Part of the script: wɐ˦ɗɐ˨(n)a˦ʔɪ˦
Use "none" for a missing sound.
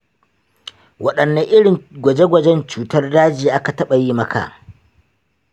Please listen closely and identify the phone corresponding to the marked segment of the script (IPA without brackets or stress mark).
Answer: nː